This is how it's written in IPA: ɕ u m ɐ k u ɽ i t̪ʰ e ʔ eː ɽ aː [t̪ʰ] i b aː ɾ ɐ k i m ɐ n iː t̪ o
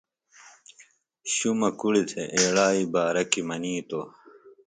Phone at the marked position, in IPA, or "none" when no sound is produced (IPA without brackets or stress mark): none